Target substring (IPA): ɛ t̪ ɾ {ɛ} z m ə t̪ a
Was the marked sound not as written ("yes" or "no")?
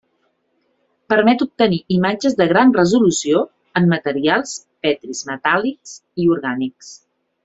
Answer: yes